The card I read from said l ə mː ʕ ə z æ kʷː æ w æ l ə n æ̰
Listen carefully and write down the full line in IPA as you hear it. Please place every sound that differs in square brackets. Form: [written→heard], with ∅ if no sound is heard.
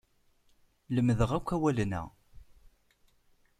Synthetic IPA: l ə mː [ʕ→ð] ə [z→ʁ] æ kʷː æ w æ l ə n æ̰